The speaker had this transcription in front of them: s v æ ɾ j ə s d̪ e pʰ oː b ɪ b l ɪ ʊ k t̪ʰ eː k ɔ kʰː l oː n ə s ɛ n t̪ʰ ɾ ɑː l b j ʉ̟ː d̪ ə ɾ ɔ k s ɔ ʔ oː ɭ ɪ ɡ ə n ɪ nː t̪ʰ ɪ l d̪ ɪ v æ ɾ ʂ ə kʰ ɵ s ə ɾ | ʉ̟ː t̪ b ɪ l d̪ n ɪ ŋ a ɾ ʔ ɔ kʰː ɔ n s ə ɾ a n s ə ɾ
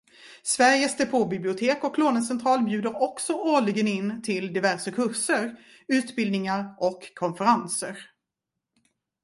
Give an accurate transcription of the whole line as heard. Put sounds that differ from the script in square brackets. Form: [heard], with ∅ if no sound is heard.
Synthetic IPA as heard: s v æ ɾ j ə s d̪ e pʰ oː b ɪ b l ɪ ʊ [∅] t̪ʰ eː k ɔ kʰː l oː n ə s ɛ n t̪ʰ ɾ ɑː l b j ʉ̟ː d̪ ə ɾ ɔ k s ɔ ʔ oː ɭ ɪ ɡ ə n ɪ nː t̪ʰ ɪ l d̪ ɪ v æ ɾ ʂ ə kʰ ɵ [ʂ] ə ɾ | ʉ̟ː t̪ b ɪ l d̪ n ɪ ŋ a ɾ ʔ ɔ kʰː ɔ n [f] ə ɾ a n s ə ɾ